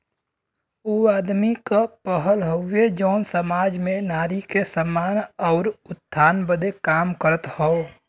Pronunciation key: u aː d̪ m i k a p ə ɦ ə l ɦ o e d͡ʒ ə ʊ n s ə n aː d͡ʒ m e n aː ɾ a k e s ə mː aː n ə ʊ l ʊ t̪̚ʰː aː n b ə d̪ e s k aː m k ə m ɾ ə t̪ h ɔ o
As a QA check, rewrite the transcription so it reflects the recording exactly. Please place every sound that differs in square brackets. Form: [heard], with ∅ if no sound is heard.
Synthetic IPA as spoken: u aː d̪ m i k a p ə ɦ ə l ɦ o e d͡ʒ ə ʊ n s ə [m] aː d͡ʒ m e n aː ɾ [i] k e s ə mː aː n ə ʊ [ɾ] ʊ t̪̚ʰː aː n b ə d̪ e [∅] k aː m k ə [∅] ɾ ə t̪ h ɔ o